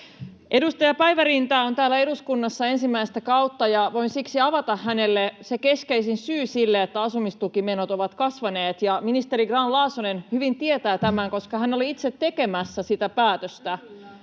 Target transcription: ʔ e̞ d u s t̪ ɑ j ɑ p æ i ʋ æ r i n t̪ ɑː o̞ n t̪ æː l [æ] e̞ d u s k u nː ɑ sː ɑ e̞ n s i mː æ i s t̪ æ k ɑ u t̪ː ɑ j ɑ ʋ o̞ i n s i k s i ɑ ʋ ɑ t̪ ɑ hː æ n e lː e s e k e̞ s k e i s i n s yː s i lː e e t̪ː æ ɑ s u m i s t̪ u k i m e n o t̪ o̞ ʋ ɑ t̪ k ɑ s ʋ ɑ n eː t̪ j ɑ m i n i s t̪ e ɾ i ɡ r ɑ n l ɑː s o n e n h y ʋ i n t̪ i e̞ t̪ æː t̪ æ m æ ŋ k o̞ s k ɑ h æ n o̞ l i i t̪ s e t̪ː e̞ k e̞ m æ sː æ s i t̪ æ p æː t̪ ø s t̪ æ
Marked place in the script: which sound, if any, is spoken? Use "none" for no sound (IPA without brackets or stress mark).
æ